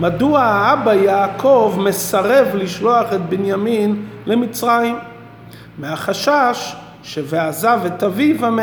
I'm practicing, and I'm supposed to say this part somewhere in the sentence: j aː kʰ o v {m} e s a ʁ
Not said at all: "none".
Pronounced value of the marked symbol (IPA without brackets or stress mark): m